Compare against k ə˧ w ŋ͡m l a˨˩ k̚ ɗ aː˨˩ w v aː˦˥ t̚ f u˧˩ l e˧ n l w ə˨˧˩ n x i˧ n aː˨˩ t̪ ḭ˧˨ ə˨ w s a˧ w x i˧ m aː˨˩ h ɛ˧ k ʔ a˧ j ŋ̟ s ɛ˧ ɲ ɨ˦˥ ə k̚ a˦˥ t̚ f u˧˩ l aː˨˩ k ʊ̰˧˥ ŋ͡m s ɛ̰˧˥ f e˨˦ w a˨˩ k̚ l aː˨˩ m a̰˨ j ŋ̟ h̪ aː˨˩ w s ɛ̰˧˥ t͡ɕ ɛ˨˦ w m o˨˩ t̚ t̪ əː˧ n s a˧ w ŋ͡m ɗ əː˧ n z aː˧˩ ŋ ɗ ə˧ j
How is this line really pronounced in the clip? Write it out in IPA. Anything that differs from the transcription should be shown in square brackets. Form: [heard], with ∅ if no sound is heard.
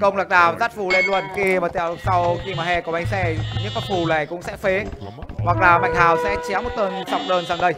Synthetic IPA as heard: k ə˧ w ŋ͡m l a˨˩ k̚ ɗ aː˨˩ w [z] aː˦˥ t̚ f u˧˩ l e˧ n l w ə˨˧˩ n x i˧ [m] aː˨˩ t̪ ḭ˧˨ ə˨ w s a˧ w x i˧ m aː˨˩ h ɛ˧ k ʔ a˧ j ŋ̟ s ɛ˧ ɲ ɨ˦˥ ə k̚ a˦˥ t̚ f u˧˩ l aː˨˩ k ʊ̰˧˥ ŋ͡m s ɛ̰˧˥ f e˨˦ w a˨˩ k̚ l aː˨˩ m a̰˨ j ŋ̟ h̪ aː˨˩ w s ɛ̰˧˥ t͡ɕ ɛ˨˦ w m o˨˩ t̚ t̪ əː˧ n s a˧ w ŋ͡m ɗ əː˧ n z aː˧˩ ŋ ɗ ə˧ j